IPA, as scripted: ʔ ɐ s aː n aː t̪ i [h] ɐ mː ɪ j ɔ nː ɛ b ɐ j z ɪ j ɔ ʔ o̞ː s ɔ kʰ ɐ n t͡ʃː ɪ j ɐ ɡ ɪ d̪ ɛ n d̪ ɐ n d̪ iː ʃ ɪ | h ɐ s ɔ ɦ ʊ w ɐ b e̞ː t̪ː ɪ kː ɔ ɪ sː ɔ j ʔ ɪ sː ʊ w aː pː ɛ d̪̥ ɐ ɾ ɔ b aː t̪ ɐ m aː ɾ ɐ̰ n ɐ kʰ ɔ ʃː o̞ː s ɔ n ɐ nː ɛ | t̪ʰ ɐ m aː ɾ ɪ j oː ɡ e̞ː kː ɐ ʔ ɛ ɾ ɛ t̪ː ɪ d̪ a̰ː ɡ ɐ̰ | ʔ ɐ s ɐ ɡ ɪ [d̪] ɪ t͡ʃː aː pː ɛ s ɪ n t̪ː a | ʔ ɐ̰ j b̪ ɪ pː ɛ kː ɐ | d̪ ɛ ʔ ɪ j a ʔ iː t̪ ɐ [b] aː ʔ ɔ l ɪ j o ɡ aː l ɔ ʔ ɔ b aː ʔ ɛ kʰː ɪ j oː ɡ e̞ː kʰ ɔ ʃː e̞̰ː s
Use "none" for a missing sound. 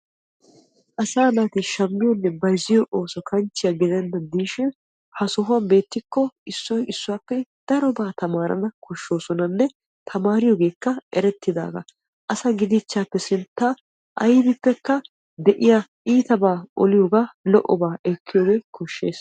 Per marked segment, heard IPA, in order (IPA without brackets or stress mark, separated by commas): ʃ, d̪, b